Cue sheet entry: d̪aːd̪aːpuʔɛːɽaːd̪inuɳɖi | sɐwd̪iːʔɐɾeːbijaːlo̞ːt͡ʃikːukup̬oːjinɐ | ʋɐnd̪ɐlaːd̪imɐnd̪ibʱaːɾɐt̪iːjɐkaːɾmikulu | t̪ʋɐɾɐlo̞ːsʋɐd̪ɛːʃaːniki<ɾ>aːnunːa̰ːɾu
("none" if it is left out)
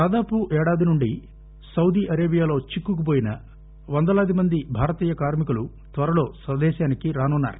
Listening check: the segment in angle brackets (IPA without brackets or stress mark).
ɾ